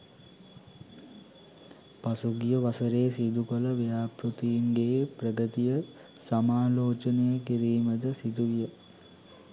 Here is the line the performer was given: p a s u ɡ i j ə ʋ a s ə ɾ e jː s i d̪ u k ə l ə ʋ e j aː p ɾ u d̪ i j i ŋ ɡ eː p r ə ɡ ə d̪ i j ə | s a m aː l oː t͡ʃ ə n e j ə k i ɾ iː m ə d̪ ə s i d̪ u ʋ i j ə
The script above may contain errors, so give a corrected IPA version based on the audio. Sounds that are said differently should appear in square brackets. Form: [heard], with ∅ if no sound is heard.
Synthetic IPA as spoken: p a s u ɡ i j ə ʋ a s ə ɾ e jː s i d̪ u k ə l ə ʋ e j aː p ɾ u [t̪] i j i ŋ ɡ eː p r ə ɡ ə [t̪] i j ə | s a m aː l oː t͡ʃ ə n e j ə k i ɾ iː m ə d̪ ə s i d̪ u ʋ i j ə

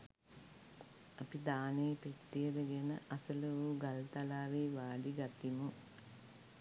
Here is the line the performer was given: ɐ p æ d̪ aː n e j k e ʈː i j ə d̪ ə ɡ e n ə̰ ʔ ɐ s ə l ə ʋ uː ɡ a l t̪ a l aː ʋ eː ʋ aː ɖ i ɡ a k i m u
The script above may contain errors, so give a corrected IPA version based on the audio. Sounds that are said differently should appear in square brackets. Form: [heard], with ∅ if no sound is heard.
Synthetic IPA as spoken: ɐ p [i] d̪ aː n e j [p] e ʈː i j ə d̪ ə ɡ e n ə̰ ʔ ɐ s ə l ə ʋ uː ɡ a l t̪ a l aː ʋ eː ʋ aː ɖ i ɡ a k i m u

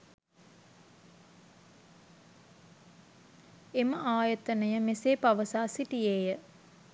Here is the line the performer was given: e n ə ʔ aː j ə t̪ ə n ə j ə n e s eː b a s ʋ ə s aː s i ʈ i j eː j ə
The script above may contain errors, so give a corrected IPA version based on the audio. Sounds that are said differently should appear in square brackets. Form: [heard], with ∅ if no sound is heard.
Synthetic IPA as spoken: e [m] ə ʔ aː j ə t̪ ə n ə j ə [m] e s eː [p] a [∅] ʋ ə s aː s i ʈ i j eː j ə

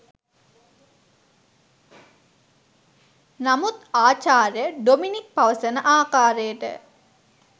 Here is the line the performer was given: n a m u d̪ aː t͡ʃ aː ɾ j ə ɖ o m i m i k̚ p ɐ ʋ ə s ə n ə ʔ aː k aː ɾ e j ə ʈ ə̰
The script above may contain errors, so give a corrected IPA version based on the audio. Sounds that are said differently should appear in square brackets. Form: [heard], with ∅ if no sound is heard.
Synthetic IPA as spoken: n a m u [t̪] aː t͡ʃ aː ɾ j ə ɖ o m i [n] i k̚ p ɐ ʋ ə s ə n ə ʔ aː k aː ɾ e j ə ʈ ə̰

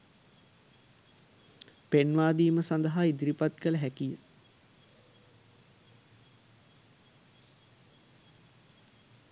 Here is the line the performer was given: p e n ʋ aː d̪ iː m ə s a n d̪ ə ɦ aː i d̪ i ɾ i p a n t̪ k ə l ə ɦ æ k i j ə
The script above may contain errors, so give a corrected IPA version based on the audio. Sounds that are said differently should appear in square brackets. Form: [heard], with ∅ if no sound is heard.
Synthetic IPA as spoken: p e n ʋ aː d̪ iː m ə s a n d̪ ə ɦ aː i d̪ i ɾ i p a [∅] t̪ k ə l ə ɦ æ k i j ə

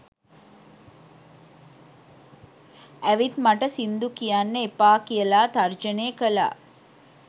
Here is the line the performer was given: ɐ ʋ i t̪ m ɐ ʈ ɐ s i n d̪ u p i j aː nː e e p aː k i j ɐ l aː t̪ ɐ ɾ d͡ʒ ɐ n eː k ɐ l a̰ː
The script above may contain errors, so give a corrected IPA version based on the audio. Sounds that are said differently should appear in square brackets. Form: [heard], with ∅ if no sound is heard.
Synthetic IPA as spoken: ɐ ʋ i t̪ m ɐ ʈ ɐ s i n d̪ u [k] i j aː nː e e p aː k i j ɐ l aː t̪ ɐ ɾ d͡ʒ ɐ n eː k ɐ l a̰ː

